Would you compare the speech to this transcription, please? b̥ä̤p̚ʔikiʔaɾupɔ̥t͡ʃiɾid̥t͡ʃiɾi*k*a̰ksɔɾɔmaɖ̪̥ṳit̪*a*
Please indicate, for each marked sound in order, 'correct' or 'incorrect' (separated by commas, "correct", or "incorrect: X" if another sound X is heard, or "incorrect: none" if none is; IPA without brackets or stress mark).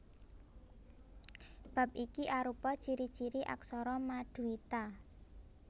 incorrect: ʔ, correct